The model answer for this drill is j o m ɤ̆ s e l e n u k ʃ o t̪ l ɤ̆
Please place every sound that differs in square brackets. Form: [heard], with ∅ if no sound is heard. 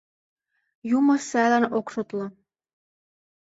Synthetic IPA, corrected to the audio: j [u] m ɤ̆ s [æ] l [æ] n [o] k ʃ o t̪ l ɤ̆